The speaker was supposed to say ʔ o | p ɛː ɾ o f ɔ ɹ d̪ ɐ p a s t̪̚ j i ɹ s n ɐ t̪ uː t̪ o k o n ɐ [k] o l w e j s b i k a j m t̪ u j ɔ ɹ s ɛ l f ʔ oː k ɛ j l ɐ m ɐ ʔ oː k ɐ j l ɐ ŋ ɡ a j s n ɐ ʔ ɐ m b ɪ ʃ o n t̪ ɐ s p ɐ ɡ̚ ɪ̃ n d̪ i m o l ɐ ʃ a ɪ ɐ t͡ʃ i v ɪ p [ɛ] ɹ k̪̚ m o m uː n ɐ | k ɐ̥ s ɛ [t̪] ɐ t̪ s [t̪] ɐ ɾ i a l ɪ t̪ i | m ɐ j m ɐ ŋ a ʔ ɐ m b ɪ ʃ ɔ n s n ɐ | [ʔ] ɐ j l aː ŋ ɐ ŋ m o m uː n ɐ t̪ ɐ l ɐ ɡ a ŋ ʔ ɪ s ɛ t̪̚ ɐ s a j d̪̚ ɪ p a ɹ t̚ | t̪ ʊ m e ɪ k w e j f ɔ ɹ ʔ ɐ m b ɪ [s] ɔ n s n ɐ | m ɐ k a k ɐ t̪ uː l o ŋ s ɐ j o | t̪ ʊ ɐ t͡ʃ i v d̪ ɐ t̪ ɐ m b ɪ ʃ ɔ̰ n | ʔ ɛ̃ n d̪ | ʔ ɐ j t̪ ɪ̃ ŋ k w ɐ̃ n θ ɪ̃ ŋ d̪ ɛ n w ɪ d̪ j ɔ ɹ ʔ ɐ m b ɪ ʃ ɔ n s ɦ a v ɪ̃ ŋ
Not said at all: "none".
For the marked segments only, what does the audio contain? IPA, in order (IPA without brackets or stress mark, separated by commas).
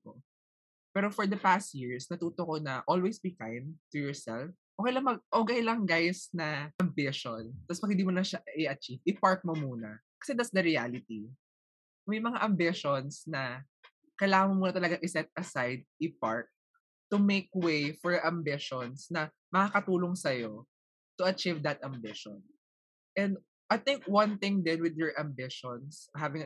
ʔ, a, d̪, d̪, k, ʃ